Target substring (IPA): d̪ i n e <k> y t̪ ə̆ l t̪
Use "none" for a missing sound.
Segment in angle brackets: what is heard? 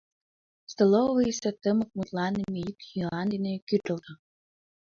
k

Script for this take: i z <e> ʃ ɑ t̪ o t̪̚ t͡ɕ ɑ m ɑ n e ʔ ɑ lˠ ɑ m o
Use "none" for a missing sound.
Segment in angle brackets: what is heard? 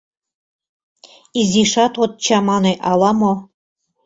i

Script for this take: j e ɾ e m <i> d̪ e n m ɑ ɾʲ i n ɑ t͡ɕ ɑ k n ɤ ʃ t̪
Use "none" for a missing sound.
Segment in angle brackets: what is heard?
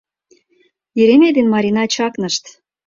e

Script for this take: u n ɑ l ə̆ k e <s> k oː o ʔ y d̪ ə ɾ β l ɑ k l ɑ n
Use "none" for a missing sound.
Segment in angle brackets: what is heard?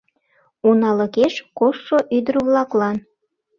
ʃ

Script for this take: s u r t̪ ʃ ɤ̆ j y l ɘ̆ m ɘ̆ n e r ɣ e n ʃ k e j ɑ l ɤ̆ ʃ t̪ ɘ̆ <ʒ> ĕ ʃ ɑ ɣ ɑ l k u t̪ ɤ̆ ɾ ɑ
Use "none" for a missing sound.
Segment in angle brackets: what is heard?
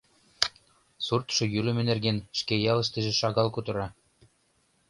ʒ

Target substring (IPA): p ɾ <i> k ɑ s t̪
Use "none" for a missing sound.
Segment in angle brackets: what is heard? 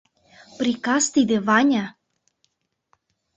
i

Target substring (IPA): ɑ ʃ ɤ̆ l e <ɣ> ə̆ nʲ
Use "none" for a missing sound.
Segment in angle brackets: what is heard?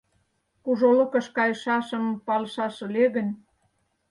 ɣ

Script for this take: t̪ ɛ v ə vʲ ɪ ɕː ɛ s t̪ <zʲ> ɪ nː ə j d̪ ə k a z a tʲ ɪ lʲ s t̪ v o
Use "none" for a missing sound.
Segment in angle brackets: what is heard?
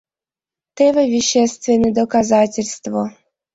vʲ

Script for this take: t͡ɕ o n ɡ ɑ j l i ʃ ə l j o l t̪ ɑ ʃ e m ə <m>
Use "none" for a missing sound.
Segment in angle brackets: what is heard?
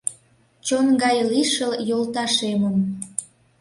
m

